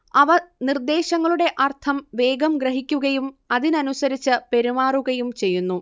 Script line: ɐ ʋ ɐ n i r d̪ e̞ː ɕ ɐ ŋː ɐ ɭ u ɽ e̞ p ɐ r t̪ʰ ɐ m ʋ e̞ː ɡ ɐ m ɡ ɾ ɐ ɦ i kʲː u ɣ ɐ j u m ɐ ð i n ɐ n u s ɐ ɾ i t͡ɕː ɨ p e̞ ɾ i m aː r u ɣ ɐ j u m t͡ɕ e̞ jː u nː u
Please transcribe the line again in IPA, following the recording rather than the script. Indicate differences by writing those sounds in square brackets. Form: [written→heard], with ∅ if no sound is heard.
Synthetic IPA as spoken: ɐ ʋ ɐ n i r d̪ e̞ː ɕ ɐ ŋː ɐ ɭ u ɽ e̞ [p→ʔ] ɐ r t̪ʰ ɐ m ʋ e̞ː ɡ ɐ m ɡ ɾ ɐ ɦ i kʲː u ɣ ɐ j u m ɐ ð i n ɐ n u s ɐ ɾ i t͡ɕː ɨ p e̞ ɾ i m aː r u ɣ ɐ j u m t͡ɕ e̞ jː u nː u